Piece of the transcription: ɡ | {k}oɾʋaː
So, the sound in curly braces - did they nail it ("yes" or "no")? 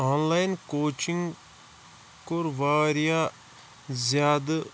yes